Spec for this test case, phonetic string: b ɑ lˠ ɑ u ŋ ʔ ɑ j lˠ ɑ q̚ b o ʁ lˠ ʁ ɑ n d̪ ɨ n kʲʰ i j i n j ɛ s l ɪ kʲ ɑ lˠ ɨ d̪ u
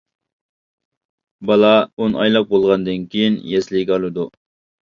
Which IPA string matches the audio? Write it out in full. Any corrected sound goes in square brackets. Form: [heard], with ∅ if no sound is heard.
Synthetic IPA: b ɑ lˠ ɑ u [n] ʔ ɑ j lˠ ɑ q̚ b o [∅] lˠ ʁ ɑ n d̪ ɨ n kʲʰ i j i n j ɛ s l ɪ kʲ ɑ lˠ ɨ d̪ u

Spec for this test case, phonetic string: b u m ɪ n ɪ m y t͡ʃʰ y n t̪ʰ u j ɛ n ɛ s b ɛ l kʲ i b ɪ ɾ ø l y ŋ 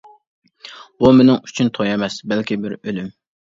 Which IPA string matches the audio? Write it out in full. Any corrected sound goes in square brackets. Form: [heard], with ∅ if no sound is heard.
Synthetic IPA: b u m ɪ n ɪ [ŋ] y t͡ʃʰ y n t̪ʰ [o] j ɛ [m] ɛ s b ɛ l kʲ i b ɪ ɾ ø l y [m]

